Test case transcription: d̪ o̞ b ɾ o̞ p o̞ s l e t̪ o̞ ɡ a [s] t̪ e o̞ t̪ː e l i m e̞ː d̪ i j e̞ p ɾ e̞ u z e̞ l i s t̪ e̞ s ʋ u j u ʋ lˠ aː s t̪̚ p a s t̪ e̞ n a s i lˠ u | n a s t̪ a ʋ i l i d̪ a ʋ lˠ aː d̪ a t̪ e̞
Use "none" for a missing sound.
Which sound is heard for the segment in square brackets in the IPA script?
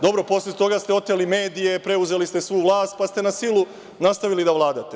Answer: s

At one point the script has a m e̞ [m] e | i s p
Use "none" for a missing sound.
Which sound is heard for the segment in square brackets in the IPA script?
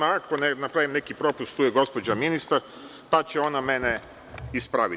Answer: n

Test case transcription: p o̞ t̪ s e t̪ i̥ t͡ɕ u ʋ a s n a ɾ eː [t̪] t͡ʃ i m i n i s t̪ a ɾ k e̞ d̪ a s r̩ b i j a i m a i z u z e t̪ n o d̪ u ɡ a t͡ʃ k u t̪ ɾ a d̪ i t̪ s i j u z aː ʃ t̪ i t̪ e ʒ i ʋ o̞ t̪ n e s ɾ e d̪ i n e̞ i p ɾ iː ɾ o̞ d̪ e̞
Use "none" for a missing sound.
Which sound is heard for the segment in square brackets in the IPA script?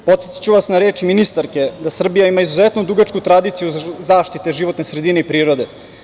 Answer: none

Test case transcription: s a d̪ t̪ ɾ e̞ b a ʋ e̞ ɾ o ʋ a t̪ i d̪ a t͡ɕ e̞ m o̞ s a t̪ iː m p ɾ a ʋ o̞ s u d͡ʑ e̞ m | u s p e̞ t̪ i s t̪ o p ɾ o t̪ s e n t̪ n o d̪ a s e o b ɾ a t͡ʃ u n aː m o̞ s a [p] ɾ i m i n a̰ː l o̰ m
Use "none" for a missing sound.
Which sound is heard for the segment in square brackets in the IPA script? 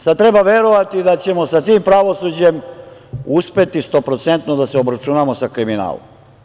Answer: k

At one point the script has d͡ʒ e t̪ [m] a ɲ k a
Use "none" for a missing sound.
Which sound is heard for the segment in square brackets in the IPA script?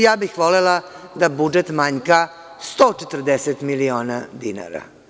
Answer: m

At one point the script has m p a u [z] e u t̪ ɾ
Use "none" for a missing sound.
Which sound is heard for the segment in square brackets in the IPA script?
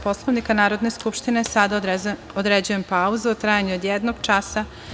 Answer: z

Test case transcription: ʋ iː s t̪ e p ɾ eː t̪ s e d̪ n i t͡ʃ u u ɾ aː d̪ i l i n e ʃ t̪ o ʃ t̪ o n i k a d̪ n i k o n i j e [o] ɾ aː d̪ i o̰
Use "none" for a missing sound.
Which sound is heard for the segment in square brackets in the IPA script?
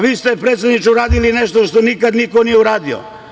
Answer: u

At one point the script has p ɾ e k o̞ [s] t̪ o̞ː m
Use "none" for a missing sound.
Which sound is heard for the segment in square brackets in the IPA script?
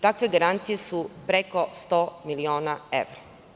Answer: s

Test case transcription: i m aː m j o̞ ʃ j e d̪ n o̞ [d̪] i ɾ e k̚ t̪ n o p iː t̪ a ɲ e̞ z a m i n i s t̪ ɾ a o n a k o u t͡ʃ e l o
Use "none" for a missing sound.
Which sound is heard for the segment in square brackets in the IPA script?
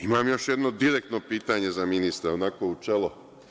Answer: d̪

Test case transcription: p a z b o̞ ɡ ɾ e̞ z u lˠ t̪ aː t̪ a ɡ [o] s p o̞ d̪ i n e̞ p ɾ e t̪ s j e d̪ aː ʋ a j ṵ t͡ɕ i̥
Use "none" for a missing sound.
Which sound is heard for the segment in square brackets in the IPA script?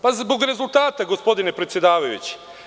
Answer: o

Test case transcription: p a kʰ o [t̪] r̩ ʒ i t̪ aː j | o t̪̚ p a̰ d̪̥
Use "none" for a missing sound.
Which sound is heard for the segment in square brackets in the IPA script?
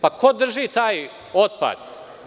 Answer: d̪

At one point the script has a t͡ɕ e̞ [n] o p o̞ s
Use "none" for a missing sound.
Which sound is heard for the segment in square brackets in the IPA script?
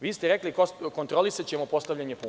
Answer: m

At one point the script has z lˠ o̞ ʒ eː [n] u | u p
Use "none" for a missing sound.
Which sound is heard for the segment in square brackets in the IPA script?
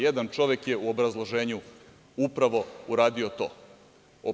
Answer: ɲ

